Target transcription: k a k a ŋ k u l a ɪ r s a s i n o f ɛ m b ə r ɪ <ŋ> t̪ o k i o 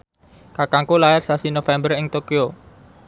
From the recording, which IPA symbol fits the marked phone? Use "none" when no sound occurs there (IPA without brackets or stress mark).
ŋ